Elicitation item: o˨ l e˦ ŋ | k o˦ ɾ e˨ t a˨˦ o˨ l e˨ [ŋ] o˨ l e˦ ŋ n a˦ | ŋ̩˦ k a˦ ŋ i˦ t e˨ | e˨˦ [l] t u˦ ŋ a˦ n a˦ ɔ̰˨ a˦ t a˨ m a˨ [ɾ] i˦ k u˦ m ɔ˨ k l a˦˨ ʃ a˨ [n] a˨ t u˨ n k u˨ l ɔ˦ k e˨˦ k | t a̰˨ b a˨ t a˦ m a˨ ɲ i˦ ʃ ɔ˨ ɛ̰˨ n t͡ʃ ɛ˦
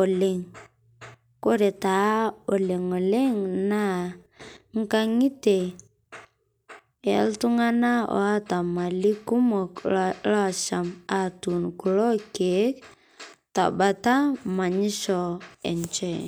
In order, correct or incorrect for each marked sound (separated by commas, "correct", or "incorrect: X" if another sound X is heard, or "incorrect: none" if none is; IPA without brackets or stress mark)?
correct, correct, incorrect: l, incorrect: m